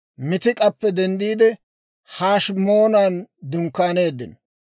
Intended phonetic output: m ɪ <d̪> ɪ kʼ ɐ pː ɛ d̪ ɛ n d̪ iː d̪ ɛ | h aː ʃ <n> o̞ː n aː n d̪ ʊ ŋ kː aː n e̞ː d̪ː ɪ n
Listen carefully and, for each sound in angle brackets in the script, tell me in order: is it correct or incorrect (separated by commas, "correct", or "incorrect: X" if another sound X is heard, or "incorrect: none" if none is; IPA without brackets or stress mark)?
incorrect: t̪, incorrect: m